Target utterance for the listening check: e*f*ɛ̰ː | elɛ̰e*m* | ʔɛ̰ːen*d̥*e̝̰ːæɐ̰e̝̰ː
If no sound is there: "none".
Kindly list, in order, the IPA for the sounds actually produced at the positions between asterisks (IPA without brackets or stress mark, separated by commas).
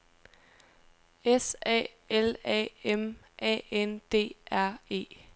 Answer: s, m, d̥